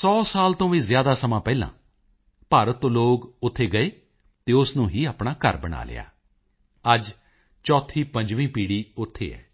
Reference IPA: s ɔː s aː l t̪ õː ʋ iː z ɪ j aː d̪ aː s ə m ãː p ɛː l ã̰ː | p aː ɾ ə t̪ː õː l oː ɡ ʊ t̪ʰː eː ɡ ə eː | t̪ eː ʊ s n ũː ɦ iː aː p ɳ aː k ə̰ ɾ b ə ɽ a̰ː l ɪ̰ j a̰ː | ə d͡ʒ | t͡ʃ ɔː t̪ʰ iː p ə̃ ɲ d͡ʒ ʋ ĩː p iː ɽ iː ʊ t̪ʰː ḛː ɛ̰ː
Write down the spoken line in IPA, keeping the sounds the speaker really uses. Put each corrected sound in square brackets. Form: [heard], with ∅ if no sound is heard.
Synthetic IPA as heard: s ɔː s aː l t̪ õː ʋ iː z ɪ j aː d̪ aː s ə m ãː p ɛː l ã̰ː | p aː ɾ ə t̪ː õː l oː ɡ ʊ t̪ʰː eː ɡ ə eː | t̪ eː ʊ s n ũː ɦ iː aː p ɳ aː k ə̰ ɾ b ə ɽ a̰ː l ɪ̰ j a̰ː | ə d͡ʒ | t͡ʃ ɔː t̪ʰ iː p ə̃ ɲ d͡ʒ ʋ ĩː p iː ɽ iː ʊ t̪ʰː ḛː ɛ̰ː